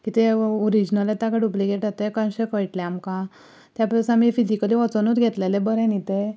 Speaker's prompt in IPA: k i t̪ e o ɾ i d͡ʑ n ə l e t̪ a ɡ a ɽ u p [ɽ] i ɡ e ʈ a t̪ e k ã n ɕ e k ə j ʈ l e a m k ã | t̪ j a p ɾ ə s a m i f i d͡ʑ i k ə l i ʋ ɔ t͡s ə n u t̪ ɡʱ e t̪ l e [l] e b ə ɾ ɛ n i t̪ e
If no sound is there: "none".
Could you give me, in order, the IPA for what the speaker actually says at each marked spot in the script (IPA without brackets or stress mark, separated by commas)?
l, l